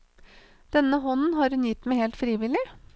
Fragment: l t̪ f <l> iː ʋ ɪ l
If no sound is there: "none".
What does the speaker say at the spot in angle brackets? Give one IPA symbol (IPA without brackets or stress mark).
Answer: ɾ